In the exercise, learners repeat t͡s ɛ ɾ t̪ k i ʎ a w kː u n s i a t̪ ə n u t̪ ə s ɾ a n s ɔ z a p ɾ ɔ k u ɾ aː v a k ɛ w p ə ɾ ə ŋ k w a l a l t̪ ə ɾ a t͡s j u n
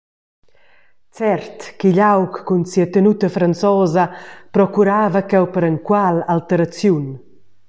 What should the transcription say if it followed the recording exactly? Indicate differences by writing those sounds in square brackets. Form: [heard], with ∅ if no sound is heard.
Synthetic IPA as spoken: t͡s ɛ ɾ t̪ k i ʎ a w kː u n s i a t̪ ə n u t̪ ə [f] ɾ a n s ɔ z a p ɾ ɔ k u ɾ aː v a k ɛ w p ə ɾ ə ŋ k w a l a l t̪ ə ɾ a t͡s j u n